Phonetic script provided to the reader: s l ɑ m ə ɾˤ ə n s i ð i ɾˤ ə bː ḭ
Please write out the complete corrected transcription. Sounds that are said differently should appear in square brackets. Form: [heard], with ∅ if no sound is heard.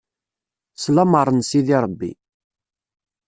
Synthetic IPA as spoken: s l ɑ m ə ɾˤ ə n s i ð i ɾˤ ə bː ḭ

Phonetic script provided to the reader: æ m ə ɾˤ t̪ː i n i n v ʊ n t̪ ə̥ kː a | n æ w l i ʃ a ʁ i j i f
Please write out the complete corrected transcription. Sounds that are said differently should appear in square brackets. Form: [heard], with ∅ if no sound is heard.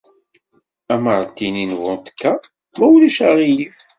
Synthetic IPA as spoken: æ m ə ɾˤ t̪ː i n i n v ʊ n t̪ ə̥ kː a | [m] æ w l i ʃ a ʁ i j i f

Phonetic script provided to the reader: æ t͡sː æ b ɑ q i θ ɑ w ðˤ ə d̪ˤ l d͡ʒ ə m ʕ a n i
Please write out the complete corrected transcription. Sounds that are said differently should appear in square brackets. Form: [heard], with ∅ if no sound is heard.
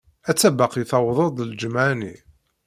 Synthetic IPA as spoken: æ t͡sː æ b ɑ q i θ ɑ w ðˤ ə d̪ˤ l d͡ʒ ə m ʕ a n i

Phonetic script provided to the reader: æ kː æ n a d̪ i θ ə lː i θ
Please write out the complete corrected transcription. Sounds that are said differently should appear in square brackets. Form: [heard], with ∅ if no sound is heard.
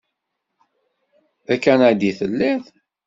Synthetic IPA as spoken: æ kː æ n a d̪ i θ ə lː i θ

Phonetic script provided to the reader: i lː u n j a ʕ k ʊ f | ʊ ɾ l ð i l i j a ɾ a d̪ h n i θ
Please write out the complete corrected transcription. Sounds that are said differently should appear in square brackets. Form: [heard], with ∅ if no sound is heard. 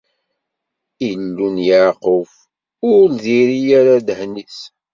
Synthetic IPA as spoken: i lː u n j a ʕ [q] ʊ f | ʊ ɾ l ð i [ɾ] i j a ɾ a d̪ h n i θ

